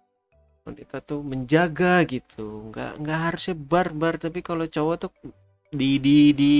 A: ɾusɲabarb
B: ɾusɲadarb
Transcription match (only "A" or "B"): A